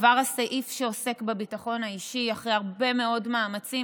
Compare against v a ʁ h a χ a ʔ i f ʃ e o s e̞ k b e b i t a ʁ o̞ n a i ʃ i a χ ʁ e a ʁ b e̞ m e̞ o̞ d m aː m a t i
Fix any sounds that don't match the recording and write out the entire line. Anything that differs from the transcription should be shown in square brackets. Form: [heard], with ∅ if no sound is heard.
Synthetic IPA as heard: v a ʁ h a [s] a ʔ i f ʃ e o s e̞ k b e b i t a [χ] o̞ n a i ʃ i a χ ʁ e a ʁ b e̞ m e̞ o̞ d m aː m a [t͡s] i